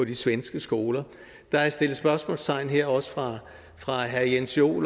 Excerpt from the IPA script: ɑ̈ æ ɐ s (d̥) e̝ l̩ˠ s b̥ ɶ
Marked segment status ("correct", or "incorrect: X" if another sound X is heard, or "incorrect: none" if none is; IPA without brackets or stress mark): correct